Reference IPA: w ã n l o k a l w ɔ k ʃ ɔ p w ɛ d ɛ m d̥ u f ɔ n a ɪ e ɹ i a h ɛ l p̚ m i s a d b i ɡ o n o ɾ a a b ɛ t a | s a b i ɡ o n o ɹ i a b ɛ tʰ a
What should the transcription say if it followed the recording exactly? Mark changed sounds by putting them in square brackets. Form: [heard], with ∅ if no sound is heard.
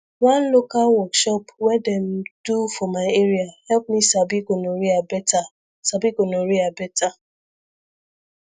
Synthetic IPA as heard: w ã n l o k a l w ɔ k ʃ ɔ p w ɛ d ɛ m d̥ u f ɔ [m] a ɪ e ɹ i a h ɛ l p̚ m i s a [∅] b i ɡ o n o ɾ [i] a b ɛ t a | s a b i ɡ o n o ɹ i a b ɛ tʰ a